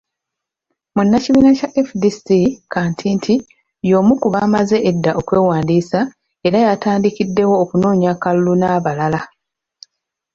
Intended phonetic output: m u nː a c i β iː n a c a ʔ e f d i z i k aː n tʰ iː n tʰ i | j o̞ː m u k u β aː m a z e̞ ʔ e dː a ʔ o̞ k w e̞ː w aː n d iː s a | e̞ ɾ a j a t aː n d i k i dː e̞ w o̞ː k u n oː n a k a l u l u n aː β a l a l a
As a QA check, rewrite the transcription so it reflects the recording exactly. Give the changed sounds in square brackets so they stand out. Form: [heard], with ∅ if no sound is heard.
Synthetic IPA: m u nː a c i β iː n a c a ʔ e f d i [s] i k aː n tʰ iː n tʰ i | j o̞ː m u k u β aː m a z e̞ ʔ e dː a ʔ o̞ k w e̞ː w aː n d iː s a | e̞ ɾ a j a t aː n d i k i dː e̞ w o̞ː k u n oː [ɲ] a k a l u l u n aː β a l a l a